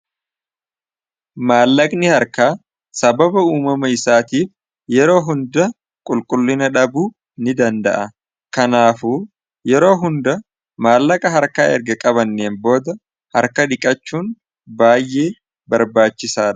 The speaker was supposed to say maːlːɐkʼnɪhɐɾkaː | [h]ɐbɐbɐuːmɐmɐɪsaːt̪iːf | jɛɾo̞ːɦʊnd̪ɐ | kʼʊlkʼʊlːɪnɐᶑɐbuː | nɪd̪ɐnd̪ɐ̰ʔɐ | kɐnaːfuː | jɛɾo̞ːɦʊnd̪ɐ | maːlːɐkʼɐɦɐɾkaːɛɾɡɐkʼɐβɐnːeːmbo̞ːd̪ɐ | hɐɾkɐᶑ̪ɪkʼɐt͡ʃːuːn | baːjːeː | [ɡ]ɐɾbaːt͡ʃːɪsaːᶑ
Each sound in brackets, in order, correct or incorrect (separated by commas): incorrect, incorrect